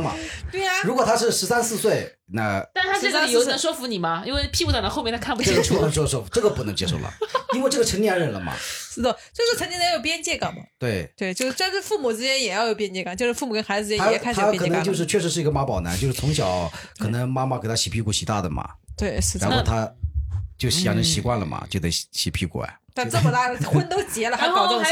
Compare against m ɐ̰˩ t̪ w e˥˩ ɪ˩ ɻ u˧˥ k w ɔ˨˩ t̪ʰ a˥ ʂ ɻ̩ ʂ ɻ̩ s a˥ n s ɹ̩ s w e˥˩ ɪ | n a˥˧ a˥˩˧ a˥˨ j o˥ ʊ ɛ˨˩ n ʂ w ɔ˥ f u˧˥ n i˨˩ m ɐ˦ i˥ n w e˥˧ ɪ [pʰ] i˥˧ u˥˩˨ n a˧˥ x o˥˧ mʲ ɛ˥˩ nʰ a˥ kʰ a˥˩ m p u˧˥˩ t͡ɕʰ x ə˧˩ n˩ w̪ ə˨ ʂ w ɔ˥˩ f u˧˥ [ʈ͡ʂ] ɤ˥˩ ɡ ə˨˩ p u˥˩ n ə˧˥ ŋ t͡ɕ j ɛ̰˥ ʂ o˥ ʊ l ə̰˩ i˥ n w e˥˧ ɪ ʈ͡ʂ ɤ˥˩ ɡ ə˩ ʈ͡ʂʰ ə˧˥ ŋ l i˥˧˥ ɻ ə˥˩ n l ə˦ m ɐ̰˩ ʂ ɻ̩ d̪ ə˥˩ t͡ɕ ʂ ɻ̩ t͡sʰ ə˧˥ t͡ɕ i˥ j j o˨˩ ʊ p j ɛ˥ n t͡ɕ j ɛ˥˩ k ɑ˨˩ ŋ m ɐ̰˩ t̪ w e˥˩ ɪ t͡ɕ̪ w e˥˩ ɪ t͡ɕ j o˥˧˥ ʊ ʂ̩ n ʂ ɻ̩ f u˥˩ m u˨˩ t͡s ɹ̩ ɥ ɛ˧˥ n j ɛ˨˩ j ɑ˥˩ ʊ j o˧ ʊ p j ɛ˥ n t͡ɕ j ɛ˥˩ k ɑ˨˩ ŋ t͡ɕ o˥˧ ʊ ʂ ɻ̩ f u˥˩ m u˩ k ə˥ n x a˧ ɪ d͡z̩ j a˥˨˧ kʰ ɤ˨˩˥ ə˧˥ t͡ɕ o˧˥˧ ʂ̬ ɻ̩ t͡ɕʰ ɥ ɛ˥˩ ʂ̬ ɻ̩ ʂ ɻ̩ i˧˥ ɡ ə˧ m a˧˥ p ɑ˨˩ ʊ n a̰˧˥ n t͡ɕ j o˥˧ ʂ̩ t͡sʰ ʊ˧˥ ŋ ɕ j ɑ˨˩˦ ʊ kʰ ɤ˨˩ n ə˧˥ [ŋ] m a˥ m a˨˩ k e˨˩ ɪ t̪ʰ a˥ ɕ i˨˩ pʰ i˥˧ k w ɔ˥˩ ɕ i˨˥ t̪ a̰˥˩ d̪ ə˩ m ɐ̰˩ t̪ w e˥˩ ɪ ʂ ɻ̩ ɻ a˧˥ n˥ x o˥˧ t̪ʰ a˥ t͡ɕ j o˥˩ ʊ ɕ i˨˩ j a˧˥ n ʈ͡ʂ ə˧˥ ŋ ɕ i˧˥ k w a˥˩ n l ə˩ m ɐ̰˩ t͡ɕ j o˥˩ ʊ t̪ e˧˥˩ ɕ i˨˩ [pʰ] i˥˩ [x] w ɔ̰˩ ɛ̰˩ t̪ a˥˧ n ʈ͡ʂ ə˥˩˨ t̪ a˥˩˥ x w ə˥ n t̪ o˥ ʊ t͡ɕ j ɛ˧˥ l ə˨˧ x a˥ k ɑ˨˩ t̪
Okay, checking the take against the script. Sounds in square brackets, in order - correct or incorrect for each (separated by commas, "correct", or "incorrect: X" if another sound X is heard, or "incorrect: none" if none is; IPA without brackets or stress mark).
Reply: correct, correct, correct, correct, incorrect: k